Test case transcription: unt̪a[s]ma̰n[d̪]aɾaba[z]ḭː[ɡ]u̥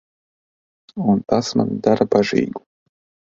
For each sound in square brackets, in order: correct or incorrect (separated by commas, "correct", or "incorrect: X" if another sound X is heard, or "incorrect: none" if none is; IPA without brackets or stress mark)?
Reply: correct, correct, incorrect: ʒ, correct